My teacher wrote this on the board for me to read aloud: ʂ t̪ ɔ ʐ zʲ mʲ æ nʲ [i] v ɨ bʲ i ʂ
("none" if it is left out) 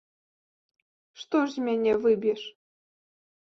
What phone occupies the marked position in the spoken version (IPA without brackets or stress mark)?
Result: ɛ